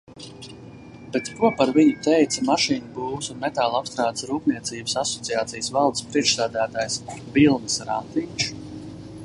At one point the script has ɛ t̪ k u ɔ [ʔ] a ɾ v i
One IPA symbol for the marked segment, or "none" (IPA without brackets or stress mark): p